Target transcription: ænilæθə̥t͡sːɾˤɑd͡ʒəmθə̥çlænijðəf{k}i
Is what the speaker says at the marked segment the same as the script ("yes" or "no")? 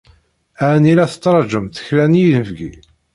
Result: no